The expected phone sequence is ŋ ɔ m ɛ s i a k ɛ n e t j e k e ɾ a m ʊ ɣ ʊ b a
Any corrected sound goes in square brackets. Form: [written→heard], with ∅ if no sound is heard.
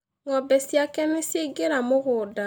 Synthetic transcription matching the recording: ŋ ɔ [m→b] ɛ s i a k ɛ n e [t→s] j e [k→ɡ] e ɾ a m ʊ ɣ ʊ [b→d] a